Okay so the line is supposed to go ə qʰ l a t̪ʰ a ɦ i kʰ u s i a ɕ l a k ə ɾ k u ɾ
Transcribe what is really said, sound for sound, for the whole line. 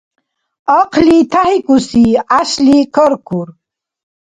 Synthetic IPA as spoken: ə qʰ l i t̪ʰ a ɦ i k u s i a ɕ l i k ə ɾ k u ɾ